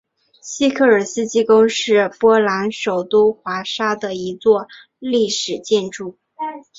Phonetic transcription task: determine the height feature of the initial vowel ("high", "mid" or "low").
high